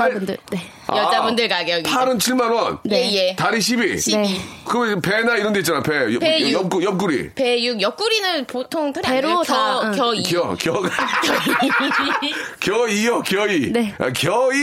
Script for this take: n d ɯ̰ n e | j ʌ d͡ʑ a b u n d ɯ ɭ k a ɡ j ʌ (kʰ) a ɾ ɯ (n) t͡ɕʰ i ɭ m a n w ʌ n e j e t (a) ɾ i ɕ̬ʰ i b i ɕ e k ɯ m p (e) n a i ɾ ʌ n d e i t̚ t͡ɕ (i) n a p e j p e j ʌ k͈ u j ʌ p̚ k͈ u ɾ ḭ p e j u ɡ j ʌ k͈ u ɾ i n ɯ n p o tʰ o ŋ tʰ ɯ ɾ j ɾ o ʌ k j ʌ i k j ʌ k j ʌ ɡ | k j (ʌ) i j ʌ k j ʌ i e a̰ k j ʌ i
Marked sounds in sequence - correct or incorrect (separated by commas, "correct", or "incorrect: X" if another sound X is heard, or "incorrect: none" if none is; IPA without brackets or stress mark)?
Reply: incorrect: pʰ, correct, correct, correct, incorrect: a, correct